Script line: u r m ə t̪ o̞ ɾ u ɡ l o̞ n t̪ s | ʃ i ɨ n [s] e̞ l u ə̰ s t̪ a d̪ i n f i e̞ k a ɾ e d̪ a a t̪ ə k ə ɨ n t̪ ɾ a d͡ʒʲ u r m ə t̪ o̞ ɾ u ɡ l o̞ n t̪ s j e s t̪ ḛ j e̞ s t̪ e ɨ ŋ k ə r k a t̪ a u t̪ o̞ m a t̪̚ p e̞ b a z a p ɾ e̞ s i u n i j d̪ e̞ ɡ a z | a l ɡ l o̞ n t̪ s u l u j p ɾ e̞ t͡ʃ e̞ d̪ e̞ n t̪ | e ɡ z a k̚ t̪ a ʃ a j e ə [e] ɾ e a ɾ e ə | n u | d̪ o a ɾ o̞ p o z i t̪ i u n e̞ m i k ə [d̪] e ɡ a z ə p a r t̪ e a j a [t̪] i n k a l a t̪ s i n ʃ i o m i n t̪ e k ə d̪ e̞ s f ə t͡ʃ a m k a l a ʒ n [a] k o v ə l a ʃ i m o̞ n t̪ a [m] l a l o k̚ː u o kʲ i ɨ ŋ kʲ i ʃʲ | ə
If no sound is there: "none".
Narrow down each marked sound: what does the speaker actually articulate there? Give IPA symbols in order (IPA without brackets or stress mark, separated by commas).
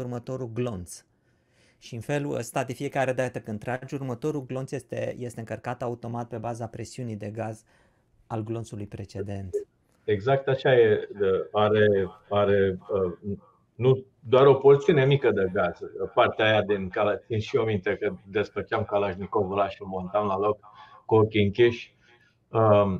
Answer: f, a, d̪, d̪, i, m